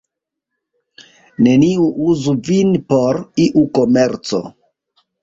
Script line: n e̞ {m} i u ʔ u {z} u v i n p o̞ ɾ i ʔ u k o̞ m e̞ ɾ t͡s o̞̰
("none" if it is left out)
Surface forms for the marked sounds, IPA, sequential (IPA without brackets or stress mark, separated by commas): n, z